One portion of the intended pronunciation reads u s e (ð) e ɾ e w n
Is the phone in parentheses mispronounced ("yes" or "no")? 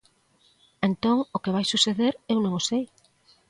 no